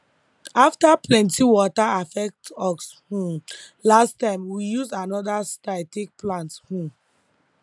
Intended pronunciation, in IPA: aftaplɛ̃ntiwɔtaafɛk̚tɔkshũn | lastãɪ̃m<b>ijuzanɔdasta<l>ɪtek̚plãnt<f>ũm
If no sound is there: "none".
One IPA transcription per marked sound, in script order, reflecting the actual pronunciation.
w, none, h

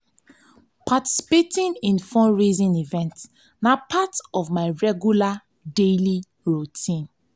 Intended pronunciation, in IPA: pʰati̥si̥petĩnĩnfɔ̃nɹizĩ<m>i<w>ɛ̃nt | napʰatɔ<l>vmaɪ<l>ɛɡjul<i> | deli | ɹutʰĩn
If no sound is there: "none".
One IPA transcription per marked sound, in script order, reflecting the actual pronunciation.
n, v, none, ɹ, a

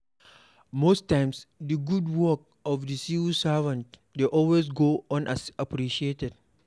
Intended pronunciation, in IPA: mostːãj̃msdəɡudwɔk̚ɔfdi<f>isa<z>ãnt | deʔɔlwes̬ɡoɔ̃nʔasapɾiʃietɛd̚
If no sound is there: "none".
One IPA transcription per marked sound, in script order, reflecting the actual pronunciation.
s, v

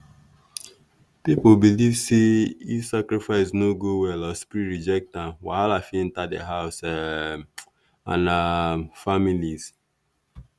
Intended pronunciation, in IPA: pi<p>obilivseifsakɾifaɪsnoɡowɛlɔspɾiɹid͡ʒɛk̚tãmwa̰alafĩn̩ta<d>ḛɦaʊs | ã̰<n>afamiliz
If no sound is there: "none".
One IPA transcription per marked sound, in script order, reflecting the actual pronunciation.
p, d, n

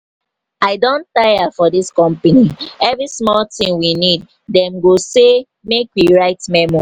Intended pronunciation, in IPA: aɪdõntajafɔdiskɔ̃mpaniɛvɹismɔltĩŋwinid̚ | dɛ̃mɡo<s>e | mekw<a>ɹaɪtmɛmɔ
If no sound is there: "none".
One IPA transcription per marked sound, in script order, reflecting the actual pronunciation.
s, i

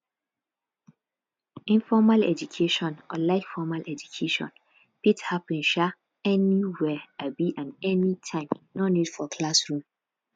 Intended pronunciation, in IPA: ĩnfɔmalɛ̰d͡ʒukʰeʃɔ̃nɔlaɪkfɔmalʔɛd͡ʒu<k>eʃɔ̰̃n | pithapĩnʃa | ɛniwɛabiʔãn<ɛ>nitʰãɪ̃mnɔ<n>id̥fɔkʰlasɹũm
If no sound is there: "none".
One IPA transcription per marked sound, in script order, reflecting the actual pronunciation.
kʰ, ɛ, n

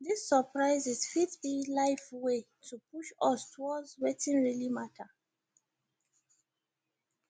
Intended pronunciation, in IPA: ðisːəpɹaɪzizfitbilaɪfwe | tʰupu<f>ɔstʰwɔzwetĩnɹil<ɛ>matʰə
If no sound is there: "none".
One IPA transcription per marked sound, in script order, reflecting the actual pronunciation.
ʃ, i

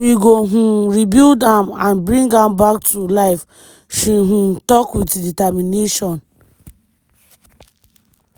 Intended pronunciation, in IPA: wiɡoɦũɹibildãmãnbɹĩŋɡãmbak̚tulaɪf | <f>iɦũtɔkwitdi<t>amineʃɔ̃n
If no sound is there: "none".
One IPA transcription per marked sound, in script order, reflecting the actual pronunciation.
ʃ, t

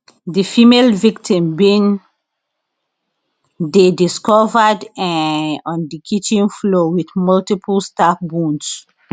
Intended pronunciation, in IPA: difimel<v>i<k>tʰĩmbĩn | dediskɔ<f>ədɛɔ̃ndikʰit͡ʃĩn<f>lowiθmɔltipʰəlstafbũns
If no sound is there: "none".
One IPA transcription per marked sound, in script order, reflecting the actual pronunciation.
v, k, v, f

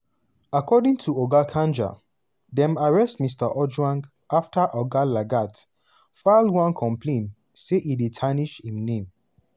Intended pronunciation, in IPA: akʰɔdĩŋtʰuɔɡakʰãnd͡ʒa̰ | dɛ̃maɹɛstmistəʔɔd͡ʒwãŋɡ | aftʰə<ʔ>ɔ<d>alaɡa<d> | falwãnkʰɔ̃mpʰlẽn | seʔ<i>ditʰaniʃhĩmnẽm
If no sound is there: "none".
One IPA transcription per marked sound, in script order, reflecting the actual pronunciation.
ʔ, ɡ, t, i

